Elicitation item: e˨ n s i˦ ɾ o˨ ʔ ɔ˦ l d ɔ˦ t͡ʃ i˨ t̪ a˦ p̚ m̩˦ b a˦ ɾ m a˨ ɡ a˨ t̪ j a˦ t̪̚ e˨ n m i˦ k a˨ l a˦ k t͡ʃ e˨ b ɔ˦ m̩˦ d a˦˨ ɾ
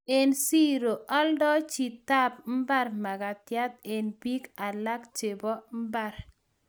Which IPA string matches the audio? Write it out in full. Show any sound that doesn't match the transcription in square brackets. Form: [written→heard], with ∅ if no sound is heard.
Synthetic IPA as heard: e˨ n s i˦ ɾ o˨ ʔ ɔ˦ l d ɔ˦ t͡ʃ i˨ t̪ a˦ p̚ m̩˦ b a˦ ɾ m a˨ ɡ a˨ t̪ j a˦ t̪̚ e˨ n [m→b] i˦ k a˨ l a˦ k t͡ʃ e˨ b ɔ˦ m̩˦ [d→b] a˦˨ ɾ